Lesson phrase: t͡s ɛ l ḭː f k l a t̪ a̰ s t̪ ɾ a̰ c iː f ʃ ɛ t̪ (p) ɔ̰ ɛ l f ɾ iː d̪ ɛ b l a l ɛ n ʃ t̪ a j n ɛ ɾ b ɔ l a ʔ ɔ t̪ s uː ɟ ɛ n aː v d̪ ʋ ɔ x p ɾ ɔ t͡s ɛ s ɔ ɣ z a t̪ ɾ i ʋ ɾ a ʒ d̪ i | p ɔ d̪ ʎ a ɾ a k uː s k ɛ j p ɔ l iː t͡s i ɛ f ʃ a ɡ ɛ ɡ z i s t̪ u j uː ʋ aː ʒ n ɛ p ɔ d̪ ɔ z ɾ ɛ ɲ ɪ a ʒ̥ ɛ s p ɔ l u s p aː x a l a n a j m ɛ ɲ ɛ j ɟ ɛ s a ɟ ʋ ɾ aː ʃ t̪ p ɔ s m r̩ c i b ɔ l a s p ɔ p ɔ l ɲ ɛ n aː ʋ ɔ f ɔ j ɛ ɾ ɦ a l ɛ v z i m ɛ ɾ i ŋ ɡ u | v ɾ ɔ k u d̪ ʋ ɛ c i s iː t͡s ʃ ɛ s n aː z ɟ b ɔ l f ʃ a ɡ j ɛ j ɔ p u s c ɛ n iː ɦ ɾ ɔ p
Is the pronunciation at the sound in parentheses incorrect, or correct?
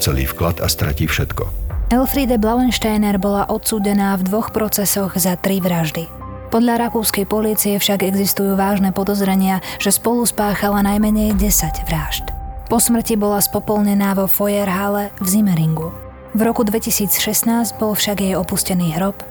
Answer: incorrect